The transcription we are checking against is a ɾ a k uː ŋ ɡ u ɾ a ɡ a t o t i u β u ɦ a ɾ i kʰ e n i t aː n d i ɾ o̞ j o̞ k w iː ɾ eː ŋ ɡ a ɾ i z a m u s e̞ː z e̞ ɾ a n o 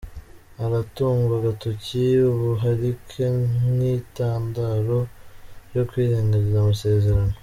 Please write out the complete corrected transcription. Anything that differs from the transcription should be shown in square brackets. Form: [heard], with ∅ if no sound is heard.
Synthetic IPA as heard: a ɾ a [t] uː ŋ ɡ u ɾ a ɡ a t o [c] i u β u ɦ a ɾ i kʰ e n i t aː n d [a] ɾ o̞ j o̞ k w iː ɾ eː ŋ ɡ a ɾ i z a m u s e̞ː z e̞ ɾ a n o